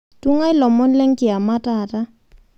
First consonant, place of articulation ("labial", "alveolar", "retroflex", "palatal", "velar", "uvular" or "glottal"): alveolar